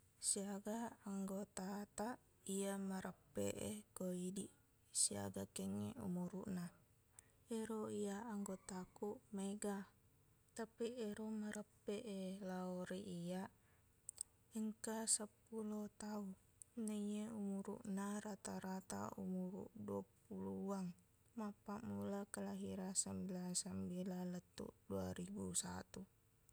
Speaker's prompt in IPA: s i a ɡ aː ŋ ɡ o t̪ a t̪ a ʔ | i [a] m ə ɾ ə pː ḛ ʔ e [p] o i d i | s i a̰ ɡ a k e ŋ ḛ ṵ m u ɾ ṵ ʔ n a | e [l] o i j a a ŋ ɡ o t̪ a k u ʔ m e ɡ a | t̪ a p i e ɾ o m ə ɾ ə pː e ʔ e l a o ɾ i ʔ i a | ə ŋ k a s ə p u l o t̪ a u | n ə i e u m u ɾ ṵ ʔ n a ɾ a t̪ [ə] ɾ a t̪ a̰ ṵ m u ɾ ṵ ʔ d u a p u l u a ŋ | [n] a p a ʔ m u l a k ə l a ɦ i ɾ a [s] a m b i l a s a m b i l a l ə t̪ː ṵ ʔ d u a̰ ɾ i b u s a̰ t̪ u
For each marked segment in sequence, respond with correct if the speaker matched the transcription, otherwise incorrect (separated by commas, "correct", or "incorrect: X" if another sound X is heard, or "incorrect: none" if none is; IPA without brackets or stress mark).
correct, incorrect: k, incorrect: ɾ, incorrect: a, incorrect: m, correct